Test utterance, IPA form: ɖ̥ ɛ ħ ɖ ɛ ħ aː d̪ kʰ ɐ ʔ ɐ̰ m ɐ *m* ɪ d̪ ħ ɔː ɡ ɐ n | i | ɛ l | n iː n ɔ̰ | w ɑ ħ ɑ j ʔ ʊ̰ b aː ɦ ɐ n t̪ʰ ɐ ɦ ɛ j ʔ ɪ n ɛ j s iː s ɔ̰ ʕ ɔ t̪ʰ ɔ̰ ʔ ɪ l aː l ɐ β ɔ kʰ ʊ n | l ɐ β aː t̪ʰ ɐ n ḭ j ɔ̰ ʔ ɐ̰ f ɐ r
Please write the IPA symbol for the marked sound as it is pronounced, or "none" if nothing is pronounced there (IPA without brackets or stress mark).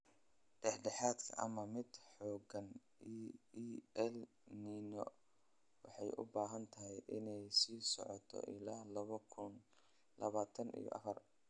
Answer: m